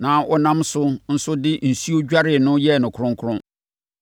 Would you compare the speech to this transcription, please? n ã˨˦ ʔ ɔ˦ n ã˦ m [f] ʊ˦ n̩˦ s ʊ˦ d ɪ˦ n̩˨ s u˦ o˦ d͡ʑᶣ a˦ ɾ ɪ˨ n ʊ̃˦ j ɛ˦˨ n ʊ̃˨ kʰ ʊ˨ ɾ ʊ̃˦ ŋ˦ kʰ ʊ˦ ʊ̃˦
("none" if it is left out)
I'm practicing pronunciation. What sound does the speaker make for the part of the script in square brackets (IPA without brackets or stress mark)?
s